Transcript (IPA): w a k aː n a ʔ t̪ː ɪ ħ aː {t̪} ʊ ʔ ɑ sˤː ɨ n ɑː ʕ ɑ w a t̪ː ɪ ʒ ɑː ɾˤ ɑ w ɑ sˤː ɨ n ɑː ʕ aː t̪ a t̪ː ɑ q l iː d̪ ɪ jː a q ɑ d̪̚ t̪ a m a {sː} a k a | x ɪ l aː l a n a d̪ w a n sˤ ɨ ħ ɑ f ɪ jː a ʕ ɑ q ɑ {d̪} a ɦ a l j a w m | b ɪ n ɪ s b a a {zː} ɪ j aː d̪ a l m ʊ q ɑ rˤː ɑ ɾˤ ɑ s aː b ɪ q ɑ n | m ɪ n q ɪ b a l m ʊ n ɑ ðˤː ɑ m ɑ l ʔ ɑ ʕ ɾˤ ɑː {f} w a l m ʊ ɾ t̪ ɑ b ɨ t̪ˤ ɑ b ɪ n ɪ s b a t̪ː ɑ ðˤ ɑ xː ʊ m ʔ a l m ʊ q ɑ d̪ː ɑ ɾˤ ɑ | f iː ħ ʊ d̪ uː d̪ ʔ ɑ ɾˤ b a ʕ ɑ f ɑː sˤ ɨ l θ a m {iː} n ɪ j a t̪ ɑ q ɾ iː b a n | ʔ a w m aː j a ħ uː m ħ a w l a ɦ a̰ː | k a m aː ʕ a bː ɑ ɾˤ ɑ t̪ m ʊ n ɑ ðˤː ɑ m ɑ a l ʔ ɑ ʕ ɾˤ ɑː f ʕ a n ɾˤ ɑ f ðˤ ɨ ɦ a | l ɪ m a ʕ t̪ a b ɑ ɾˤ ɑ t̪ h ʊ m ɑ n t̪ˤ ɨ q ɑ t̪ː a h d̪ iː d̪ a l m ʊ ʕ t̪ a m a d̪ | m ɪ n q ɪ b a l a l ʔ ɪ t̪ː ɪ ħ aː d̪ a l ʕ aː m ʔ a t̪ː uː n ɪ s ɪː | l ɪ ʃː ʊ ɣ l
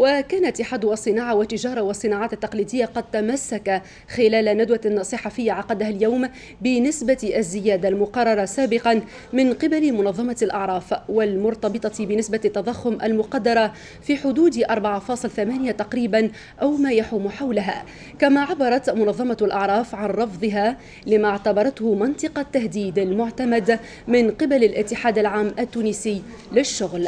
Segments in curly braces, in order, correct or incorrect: incorrect: d̪, correct, correct, correct, correct, incorrect: aː

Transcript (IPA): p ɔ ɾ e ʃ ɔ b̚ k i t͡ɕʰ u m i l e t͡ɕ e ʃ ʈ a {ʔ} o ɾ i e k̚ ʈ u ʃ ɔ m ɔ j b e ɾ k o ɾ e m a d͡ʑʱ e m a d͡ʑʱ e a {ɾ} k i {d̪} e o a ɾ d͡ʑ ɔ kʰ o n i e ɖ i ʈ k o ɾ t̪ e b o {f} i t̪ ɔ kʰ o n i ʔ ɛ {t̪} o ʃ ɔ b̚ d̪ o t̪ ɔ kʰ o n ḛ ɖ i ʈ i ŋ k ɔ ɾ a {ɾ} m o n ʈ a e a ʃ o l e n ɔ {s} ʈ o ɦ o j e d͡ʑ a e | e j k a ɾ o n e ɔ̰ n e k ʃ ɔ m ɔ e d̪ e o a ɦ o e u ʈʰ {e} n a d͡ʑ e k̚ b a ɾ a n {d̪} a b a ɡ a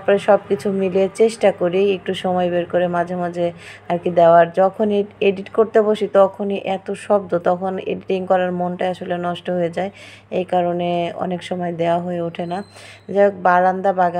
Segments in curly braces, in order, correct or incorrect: incorrect: k, correct, correct, incorrect: ʃ, correct, correct, incorrect: ʃ, correct, correct

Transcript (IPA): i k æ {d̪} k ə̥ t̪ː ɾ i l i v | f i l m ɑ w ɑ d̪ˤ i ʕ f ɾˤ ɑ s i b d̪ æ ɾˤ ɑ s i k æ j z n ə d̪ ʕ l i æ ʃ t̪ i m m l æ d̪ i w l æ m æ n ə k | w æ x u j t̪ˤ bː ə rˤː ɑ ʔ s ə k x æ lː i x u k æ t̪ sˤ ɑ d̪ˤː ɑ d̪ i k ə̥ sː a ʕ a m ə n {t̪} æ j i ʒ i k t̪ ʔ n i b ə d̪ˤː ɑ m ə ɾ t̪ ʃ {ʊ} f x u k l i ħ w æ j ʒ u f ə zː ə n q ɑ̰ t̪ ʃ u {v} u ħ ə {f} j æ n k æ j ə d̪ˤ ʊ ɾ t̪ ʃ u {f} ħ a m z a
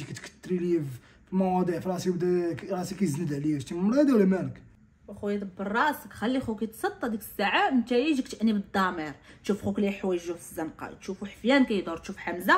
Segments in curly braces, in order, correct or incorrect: incorrect: t̪, correct, incorrect: u, incorrect: f, correct, correct

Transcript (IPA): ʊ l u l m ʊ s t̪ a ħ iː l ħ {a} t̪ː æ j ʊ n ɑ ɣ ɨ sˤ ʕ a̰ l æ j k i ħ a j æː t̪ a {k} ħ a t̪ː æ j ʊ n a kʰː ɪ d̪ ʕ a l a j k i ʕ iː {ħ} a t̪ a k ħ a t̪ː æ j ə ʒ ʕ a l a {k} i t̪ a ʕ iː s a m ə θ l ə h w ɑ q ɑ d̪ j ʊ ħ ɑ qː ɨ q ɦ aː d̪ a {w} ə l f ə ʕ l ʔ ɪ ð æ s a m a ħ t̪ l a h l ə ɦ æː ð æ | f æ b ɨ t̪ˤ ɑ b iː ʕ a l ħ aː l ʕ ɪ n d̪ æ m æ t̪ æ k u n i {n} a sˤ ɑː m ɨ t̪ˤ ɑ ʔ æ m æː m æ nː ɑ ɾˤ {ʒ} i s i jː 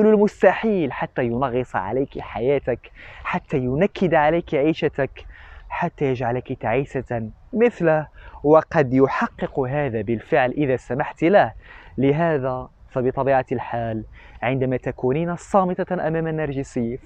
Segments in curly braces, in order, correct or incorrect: correct, correct, incorrect: ʃ, correct, incorrect: b, correct, correct

